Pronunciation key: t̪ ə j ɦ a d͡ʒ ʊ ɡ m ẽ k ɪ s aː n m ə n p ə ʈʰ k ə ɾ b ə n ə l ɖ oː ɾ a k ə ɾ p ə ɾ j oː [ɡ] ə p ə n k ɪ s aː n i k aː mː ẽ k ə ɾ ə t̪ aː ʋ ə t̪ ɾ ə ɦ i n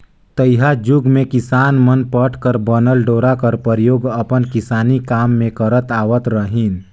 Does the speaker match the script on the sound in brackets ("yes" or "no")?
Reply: yes